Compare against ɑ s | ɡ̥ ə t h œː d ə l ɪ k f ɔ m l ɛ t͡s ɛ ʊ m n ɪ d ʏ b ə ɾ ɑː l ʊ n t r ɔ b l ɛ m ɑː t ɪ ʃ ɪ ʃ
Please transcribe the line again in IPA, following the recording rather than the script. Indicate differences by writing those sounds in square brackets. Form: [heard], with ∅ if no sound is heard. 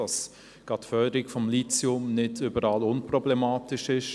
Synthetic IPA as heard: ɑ s | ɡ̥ [ɑ] t [f] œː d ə [ɾ] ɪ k f ɔ m l [i] t͡s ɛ ʊ m n ɪ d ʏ b ə ɾ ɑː l ʊ n [p] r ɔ b l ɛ m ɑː t ɪ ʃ ɪ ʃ